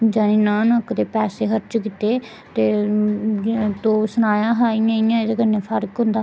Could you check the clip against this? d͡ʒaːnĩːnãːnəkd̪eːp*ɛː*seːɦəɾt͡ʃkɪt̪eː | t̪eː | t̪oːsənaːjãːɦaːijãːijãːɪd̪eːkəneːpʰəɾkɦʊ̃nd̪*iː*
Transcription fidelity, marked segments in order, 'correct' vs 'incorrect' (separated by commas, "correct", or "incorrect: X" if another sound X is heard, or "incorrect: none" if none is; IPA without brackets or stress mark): correct, incorrect: aː